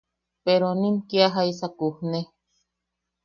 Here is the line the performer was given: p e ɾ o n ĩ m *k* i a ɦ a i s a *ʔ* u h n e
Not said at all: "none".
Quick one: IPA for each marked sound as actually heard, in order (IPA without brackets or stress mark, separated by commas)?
k, k